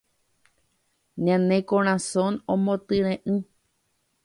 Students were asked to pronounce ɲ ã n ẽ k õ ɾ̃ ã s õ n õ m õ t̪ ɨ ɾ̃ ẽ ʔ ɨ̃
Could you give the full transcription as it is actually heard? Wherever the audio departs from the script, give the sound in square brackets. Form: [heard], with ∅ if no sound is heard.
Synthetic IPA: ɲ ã n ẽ k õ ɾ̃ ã s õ n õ m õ t̪ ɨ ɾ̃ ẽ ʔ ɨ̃